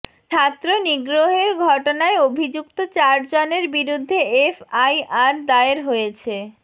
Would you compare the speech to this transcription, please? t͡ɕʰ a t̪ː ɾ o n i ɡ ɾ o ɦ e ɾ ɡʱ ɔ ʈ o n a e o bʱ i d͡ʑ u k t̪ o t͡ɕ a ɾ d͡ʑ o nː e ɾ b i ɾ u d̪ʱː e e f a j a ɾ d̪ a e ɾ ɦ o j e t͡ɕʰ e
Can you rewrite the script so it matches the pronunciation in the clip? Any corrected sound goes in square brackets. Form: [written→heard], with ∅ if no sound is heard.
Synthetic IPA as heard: t͡ɕʰ a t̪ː ɾ o n i ɡ ɾ o ɦ e ɾ ɡʱ ɔ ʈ o n a e o bʱ i d͡ʑ u k t̪ o t͡ɕ a ɾ d͡ʑ o [nː→n] e ɾ b i ɾ u d̪ʱː e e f a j a ɾ d̪ a e ɾ ɦ o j e t͡ɕʰ e